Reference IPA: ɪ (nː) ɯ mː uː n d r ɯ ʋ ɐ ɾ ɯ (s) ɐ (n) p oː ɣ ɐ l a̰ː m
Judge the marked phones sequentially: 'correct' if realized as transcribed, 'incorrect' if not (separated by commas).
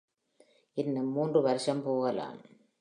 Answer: correct, incorrect, incorrect